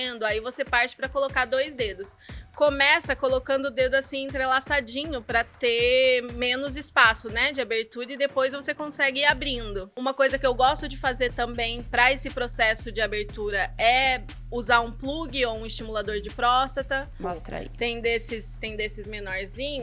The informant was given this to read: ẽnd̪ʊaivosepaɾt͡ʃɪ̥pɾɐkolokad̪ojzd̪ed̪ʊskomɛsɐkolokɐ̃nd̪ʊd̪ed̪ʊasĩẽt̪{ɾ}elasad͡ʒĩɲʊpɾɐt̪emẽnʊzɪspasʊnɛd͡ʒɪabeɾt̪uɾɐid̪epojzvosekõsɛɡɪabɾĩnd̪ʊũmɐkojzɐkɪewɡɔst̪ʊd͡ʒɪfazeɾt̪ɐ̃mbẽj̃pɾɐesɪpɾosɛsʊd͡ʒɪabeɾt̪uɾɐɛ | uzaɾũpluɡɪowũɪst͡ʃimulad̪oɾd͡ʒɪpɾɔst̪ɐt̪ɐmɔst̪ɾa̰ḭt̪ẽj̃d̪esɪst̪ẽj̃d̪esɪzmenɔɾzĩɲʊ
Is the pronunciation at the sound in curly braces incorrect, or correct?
correct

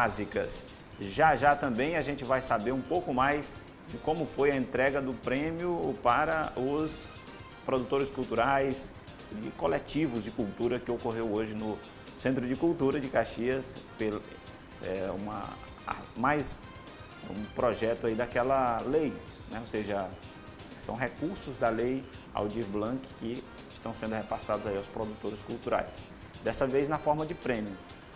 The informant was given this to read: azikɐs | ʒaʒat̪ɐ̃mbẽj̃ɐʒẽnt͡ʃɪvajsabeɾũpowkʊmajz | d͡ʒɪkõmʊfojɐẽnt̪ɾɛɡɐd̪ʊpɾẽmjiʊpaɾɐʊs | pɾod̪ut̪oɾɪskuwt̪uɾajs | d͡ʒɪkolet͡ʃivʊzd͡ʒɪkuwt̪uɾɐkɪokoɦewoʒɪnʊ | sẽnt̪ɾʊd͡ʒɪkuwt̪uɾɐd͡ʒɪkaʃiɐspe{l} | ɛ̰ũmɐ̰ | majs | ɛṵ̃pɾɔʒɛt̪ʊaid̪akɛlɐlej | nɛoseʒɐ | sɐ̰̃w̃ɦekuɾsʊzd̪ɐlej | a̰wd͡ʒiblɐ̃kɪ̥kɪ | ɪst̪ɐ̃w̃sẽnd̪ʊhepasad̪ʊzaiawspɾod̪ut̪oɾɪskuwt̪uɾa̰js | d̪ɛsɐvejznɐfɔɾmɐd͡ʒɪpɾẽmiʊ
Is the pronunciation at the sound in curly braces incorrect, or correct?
correct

